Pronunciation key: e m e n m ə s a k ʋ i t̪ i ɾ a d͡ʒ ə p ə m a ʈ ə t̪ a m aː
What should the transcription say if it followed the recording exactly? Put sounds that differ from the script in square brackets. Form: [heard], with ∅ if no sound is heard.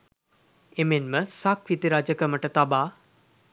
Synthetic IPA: e m e n m ə s a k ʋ i t̪ i ɾ a d͡ʒ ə [k] ə m [ə] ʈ ə t̪ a [b] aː